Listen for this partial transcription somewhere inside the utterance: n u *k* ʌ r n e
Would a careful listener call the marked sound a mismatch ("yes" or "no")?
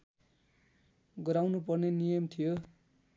yes